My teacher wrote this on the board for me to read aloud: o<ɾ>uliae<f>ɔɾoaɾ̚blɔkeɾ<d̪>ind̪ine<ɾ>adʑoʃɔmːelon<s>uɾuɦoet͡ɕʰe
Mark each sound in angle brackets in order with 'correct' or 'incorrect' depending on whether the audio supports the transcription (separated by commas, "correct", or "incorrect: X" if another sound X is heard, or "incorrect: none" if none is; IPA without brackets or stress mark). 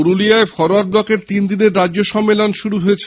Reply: correct, correct, incorrect: t̪, incorrect: ɾː, incorrect: ʃ